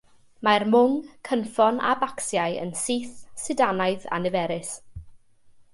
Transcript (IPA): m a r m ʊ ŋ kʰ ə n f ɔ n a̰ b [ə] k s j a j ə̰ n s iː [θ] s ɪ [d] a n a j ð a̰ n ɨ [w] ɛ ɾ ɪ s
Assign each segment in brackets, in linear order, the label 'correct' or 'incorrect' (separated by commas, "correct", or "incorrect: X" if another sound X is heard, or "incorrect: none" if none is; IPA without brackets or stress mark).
incorrect: a, correct, correct, incorrect: v